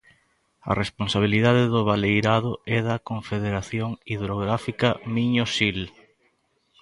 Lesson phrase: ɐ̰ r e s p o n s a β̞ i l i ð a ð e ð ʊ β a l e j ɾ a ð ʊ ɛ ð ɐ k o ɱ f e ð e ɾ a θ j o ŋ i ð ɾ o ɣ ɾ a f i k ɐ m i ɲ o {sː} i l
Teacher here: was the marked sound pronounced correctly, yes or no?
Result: no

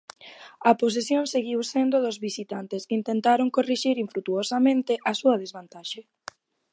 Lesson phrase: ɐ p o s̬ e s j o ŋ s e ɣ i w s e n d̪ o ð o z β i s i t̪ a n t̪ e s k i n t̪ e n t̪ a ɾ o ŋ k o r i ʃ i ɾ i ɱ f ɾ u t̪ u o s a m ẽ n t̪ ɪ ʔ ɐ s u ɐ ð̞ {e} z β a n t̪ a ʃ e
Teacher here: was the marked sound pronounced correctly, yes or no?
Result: yes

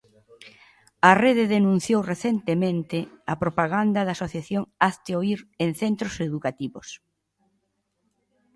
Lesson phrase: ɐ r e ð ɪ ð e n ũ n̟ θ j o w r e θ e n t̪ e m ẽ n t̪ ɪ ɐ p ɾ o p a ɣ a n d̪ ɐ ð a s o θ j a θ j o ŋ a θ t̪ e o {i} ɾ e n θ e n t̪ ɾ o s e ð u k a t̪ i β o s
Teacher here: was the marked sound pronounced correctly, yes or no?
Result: yes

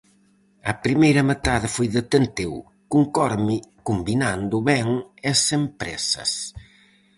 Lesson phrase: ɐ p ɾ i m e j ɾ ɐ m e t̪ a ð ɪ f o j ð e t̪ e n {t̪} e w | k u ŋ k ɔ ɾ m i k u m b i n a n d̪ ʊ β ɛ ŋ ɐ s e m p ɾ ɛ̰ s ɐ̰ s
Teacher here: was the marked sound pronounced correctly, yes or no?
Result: yes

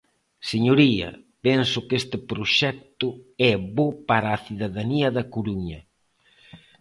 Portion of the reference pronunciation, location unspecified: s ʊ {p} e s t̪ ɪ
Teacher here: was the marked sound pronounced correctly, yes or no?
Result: no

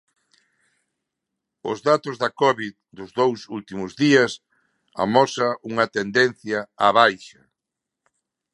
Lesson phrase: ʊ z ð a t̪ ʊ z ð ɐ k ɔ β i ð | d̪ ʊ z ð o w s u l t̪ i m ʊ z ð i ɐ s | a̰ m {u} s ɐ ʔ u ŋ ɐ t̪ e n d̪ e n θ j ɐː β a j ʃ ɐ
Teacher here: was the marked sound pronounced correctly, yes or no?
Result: no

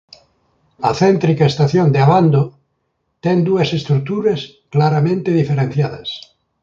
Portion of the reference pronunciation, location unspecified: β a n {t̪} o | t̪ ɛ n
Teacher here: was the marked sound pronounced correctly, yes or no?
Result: no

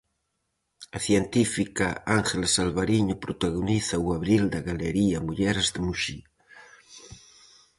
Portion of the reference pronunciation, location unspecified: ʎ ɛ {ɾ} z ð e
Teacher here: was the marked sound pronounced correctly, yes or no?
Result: yes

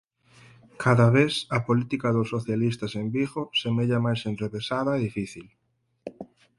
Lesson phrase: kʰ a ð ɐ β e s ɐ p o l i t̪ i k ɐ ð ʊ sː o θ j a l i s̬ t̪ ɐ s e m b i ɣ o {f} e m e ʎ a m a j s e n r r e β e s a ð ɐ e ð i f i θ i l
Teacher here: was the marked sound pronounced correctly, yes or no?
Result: no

